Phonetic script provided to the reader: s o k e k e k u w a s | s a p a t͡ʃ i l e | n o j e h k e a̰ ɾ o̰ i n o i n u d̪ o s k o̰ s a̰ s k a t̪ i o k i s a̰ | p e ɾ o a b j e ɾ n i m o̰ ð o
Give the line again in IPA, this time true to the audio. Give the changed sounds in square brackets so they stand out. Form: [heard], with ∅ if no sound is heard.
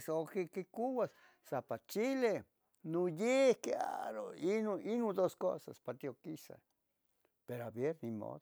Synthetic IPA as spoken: s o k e k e k u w a s | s a p a t͡ʃ i l e | n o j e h k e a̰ ɾ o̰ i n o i n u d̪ o s k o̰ s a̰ s [p] a t̪ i o k i s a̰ | p e ɾ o a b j e ɾ n i m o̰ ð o